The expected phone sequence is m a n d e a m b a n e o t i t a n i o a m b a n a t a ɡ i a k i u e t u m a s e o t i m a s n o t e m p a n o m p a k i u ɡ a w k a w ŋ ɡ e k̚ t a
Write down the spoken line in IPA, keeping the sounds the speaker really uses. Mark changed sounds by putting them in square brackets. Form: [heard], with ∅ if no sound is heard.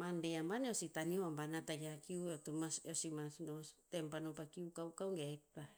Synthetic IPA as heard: m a n d e a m b a n e o [s] i t a n i o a m b a n a t a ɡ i a k i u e t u m a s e o [s] i m a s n o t e m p a n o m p a k i u [k] a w k a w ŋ ɡ e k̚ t a